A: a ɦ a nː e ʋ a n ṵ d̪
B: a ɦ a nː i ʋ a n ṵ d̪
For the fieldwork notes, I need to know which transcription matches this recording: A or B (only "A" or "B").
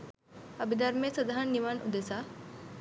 B